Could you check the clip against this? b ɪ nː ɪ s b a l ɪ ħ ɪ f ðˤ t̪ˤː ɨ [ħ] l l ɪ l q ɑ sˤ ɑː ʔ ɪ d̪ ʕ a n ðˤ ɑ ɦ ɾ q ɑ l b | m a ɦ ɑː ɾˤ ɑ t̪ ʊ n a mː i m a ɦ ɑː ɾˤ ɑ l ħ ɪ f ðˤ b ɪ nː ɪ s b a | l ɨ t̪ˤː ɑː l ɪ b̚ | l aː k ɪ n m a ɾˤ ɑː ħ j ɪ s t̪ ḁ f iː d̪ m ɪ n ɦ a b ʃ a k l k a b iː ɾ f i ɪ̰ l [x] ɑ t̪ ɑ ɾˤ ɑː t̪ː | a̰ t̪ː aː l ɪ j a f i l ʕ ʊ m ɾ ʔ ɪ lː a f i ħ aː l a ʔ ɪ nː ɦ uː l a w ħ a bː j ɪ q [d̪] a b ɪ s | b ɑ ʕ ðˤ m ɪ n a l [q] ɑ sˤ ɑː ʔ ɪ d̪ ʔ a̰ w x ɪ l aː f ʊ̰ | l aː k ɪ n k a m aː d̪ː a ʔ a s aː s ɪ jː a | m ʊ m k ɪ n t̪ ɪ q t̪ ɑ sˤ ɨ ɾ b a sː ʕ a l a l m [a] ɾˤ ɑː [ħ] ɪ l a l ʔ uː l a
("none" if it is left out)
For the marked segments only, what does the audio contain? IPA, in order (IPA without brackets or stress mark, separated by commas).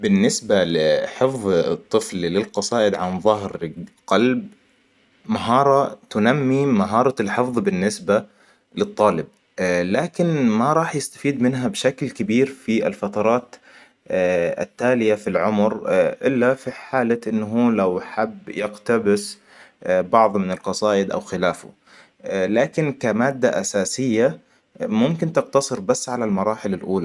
f, f, t̪, q, ɑ, ħ